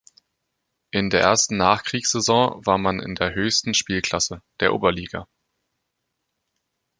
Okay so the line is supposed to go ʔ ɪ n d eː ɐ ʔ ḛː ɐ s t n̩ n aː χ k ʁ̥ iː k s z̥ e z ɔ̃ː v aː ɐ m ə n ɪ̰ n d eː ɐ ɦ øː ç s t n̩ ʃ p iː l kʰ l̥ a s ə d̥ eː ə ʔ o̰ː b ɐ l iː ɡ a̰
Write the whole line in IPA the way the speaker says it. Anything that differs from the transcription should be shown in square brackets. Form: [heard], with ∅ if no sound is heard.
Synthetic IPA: ʔ ɪ n d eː ɐ ʔ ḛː ɐ s t n̩ n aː χ k ʁ̥ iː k s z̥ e z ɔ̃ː v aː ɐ m [a] n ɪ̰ n d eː ɐ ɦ øː ç s t n̩ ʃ p iː l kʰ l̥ a s ə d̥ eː [ɐ] ʔ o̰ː b ɐ l iː ɡ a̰